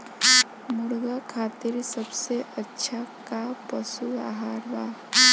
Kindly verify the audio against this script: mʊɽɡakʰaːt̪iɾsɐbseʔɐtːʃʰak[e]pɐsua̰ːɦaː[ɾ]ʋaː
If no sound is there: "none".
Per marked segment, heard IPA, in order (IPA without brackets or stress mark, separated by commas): a, ɾ